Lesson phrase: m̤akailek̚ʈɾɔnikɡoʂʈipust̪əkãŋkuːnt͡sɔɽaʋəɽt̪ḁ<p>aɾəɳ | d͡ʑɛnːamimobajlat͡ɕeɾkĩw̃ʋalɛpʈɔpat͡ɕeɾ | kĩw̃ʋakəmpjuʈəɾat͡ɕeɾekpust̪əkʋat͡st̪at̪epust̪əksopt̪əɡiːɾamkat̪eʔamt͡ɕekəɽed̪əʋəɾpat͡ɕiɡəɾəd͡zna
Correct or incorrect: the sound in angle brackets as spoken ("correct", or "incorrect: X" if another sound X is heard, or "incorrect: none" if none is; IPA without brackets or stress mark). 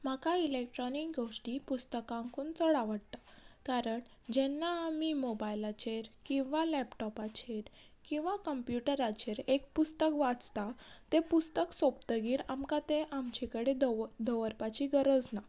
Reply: incorrect: k